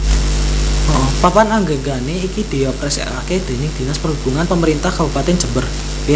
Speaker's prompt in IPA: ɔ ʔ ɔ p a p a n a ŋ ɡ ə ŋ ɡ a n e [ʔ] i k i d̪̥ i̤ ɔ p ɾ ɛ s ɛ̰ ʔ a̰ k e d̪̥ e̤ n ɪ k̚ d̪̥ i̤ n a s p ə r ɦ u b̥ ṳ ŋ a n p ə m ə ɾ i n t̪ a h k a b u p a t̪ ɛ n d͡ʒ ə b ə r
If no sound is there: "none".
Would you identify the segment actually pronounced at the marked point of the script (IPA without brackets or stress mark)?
none